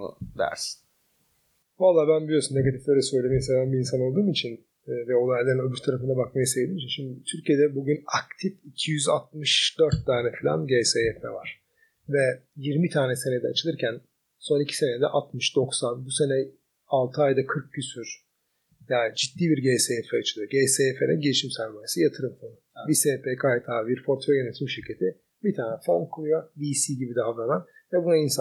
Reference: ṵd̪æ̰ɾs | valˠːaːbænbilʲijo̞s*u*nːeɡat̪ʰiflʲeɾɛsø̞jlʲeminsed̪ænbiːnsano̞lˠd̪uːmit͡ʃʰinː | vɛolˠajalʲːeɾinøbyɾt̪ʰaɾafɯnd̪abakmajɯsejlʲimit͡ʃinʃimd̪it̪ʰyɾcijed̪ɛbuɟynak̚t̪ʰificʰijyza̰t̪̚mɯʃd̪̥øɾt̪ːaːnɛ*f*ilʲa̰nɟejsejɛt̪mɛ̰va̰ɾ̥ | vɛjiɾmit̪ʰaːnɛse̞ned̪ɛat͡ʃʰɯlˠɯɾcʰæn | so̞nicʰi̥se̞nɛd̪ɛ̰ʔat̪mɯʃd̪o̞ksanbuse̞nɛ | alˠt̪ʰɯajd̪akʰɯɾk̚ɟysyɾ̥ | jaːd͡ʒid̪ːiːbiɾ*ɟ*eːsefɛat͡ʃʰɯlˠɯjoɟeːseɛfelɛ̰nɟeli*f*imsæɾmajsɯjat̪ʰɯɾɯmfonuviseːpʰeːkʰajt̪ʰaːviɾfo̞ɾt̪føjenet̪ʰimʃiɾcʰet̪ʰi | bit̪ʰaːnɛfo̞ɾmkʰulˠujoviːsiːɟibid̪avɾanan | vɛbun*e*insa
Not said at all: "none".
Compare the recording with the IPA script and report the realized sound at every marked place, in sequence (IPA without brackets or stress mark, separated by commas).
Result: u, f, ɟ, ʃ, a